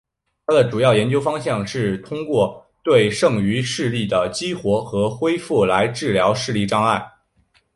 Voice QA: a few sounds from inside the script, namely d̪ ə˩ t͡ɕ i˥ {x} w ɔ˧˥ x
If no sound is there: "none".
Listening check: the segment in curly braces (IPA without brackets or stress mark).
x